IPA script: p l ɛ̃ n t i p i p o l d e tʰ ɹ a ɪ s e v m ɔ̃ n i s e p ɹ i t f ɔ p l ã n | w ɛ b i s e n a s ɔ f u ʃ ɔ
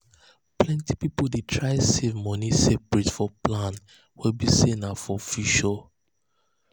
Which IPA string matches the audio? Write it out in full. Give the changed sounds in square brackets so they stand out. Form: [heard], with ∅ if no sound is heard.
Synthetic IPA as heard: p l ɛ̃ n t i p i p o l d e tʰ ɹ a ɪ s e v m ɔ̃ n i s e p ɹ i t f ɔ p l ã n | w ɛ b i s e n a [f] ɔ f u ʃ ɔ